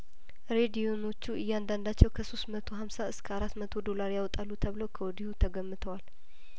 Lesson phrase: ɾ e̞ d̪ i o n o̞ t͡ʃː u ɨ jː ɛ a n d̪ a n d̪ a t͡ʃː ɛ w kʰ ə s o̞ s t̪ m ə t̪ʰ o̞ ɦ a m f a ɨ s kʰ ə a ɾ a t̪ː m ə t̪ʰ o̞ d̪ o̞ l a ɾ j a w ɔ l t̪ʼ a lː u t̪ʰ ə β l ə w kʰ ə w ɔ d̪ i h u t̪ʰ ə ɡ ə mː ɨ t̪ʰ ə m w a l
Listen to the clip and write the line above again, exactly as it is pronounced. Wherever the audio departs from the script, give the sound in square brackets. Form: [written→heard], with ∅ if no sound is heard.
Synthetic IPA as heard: ɾ e̞ d̪ i o n o̞ t͡ʃː u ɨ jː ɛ a n d̪ a n d̪ a t͡ʃː ɛ w kʰ ə s o̞ s t̪ m ə t̪ʰ o̞ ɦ a m [f→s] a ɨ s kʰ ə a ɾ a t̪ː m ə t̪ʰ o̞ d̪ o̞ l a ɾ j a w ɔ [l→∅] t̪ʼ a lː u t̪ʰ ə β l ə w kʰ ə w ɔ d̪ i h u t̪ʰ ə ɡ ə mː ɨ t̪ʰ ə [m→∅] w a l